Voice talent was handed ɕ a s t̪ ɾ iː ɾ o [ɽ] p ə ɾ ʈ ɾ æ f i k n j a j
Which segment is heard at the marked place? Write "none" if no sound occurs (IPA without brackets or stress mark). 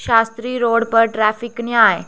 ɽ